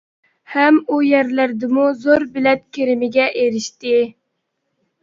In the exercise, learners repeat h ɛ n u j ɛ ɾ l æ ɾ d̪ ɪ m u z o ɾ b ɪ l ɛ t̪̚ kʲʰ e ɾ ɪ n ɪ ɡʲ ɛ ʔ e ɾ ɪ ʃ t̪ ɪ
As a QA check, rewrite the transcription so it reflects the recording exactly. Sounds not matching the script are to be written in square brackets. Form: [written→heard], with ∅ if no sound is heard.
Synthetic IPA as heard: h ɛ [n→m] u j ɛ ɾ l æ ɾ d̪ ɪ m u z o ɾ b ɪ l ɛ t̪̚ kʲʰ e ɾ ɪ [n→m] ɪ ɡʲ ɛ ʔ e ɾ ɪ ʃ t̪ ɪ